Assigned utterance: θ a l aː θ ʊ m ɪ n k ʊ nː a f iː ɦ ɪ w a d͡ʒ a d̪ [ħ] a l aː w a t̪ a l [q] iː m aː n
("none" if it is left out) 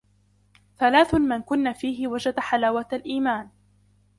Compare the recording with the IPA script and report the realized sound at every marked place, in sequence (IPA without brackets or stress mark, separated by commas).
ħ, ʔ